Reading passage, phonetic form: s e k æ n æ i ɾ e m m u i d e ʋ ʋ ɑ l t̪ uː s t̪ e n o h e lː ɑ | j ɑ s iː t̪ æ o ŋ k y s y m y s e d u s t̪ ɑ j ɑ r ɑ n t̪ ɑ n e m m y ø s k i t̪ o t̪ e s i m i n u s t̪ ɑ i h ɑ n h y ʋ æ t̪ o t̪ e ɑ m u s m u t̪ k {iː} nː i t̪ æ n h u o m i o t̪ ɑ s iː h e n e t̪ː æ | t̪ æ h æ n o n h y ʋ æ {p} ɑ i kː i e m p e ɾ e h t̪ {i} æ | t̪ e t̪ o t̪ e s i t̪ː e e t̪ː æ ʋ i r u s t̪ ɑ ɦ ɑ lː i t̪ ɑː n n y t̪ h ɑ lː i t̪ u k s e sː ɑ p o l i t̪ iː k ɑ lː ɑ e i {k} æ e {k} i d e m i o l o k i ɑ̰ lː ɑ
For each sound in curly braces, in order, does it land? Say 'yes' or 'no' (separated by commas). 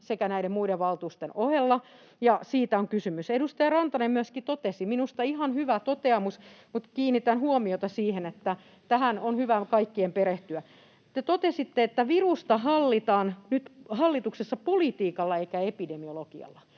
yes, no, no, yes, no